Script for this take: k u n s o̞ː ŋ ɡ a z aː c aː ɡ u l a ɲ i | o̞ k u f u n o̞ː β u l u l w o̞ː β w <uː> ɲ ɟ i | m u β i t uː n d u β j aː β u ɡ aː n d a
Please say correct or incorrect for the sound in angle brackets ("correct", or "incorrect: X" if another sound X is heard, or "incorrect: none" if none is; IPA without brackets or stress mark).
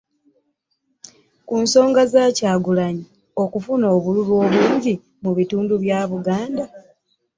correct